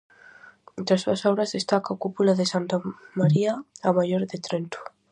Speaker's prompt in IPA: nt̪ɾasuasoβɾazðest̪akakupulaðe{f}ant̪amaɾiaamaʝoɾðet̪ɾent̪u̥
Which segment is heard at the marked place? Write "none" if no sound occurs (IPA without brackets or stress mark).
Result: s